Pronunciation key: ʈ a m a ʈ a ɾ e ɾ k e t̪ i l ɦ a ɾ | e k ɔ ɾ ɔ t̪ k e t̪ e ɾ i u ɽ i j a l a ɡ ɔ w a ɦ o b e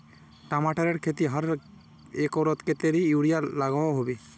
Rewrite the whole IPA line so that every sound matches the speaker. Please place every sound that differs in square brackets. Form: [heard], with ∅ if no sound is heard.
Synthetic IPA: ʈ a m a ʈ a ɾ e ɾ [kʰ] e t̪ i [∅] ɦ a ɾ | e k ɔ ɾ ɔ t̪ k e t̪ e ɾ i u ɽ i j a l a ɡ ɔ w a ɦ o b e